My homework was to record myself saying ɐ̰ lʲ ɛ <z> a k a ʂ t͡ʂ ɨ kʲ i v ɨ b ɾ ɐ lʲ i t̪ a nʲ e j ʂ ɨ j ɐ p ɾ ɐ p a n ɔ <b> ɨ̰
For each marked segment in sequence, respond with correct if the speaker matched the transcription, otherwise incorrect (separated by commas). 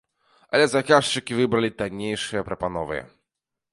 correct, incorrect